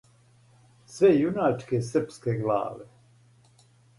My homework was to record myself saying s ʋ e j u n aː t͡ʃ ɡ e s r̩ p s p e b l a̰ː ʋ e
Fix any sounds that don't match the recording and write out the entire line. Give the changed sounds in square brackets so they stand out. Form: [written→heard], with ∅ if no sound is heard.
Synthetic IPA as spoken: s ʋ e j u n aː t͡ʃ [ɡ→k] e s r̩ p s [p→k] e [b→ɡ] l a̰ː ʋ e